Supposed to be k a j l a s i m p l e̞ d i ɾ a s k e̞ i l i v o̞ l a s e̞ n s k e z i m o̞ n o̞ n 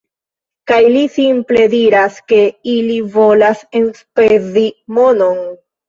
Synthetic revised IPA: k a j l i s i m p l e̞ d i ɾ a s k e̞ i l i v o̞ l a s e̞ n s p e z i m o̞ n o̞ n

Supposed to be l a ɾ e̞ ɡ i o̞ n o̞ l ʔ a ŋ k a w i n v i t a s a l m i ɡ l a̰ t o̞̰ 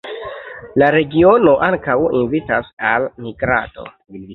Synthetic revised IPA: l a ɾ e̞ ɡ i o̞ n o̞ ʔ a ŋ k a w i n v i t a s a l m i ɡ ɾ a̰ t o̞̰

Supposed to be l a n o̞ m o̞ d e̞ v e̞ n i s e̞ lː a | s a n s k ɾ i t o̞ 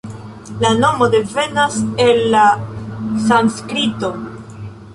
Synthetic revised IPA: l a n o̞ m o̞ d e̞ v e̞ n a s e̞ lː a | s a n s k ɾ i t o̞

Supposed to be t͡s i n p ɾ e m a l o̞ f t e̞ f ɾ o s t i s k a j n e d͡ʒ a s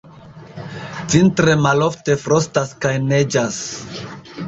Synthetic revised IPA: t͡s i n t ɾ e m a l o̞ f t e̞ f ɾ o s t a s k a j n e d͡ʒ a s

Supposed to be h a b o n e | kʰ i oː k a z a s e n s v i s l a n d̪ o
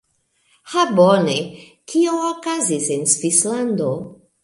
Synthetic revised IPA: h a b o n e | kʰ i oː k a z i s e n s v i s l a n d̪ o

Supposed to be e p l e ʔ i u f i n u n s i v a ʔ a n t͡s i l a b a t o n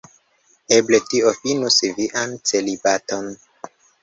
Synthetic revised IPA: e b l e t i o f i n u s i v i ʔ a n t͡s e l i b a t o n

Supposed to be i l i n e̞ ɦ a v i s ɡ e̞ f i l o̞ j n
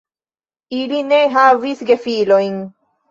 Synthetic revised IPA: i l i n e̞ ɦ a v i s ɡ e̞ f i l o̞ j n

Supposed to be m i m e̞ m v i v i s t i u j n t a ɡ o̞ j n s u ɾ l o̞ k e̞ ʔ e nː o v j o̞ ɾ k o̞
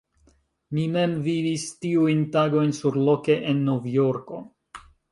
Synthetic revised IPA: m i m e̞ m v i v i s t i u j n t a ɡ o̞ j n s u ɾ l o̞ k e̞ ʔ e nː o v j o̞ ɾ k o̞

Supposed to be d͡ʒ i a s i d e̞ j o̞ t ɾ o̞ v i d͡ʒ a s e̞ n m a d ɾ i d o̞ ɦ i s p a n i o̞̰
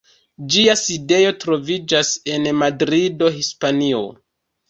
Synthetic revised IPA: d͡ʒ i a s i d e̞ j o̞ t ɾ o̞ v i d͡ʒ a s e̞ n m a d ɾ i d o̞ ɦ i s p a n i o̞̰

